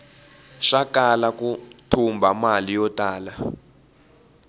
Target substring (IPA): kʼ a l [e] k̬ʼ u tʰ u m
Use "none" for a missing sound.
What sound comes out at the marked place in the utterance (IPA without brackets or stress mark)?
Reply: a